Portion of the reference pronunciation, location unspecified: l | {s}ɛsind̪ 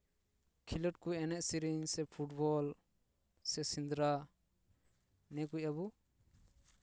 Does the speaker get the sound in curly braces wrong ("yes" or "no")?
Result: no